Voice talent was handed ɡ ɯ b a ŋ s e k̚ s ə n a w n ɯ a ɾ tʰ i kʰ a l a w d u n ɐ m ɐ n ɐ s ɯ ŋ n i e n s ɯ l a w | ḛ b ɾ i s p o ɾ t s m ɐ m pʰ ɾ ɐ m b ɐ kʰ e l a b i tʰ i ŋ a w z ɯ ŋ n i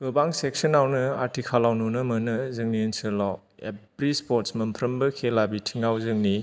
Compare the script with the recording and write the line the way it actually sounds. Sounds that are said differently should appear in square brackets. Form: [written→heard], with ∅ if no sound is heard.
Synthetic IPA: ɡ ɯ b a ŋ s e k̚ s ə n a w n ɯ a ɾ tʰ i kʰ a l a w [d→n] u n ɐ m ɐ n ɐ [s→z] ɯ ŋ n i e n s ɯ l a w | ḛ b ɾ i s p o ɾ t s m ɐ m pʰ ɾ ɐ m b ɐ kʰ e l a b i tʰ i ŋ a w z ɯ ŋ n i